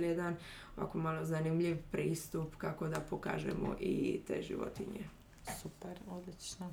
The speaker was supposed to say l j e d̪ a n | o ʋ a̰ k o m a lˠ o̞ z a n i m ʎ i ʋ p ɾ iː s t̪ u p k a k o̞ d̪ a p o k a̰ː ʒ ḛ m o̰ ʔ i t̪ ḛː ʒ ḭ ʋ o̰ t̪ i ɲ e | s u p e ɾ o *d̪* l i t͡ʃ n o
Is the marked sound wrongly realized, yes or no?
no